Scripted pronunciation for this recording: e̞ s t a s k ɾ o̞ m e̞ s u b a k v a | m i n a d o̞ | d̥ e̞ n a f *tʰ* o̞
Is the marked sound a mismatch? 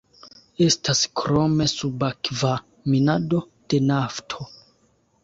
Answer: no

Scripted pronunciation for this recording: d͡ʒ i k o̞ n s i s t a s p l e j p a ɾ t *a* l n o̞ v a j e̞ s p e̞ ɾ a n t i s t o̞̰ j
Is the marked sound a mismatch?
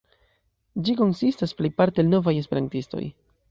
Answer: yes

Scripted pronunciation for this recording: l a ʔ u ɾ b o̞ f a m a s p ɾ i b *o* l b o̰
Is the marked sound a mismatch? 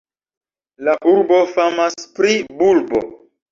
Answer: yes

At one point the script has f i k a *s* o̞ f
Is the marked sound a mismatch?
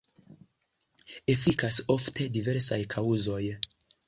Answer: no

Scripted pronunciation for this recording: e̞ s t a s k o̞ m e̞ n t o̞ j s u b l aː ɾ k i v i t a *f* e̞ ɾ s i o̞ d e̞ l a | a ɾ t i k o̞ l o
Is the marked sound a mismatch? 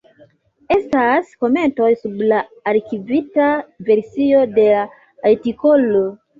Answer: yes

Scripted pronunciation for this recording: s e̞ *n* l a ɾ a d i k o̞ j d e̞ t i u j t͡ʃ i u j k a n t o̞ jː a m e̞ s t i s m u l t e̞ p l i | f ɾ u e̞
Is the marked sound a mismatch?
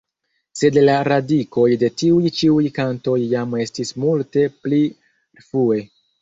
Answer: yes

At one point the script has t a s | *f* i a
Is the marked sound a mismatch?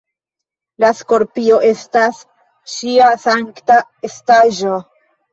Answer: yes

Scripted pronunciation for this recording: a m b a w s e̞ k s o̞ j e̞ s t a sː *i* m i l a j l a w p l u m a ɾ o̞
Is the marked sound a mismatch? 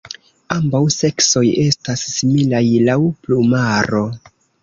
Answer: no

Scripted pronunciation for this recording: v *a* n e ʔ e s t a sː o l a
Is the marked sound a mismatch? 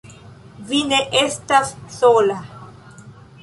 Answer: yes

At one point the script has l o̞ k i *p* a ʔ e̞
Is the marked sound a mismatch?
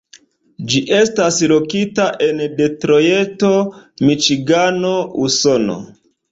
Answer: yes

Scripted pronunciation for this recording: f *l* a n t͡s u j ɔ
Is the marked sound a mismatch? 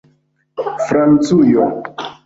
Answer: yes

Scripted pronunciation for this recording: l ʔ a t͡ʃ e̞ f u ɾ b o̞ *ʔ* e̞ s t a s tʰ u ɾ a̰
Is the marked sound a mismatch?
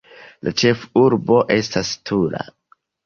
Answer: no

